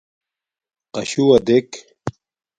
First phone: q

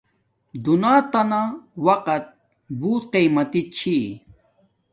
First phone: d̪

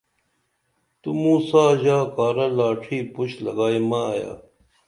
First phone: t̪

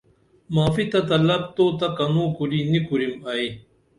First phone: m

